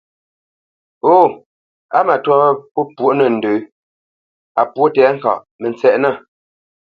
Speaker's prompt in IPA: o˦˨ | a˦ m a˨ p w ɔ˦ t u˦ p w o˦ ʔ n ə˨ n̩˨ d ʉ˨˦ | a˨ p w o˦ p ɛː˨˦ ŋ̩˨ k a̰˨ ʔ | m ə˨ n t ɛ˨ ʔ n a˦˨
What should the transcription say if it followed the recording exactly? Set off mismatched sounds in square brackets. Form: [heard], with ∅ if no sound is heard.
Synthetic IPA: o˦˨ | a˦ m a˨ [t] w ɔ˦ [p] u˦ p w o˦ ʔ n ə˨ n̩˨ d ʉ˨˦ | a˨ p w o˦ [t] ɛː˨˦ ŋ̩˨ k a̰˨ ʔ | m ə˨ n [t͡s] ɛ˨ ʔ n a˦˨